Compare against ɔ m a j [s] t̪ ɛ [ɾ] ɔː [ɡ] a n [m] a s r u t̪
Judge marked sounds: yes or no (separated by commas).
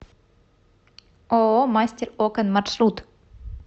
yes, yes, no, yes